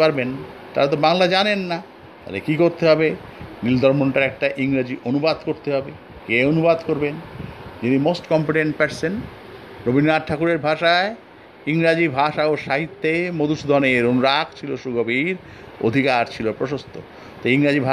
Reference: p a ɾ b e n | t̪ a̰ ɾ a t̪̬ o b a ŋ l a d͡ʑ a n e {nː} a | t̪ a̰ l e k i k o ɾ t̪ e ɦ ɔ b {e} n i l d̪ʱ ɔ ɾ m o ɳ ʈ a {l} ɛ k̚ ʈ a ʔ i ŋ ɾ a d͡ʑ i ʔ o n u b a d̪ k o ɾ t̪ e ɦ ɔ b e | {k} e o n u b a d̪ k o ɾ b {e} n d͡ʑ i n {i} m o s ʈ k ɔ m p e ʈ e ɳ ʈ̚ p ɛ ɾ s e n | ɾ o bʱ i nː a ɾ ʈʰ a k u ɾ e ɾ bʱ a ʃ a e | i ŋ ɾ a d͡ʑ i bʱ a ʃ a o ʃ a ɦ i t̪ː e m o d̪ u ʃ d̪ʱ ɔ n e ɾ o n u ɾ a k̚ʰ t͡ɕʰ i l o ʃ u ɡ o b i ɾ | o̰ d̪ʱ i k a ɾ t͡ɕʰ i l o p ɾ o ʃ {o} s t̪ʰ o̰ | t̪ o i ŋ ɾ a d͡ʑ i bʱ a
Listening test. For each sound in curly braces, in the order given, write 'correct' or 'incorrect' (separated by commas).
correct, correct, incorrect, correct, correct, correct, correct